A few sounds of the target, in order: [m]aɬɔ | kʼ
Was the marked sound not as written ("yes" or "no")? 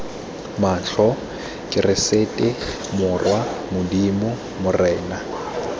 no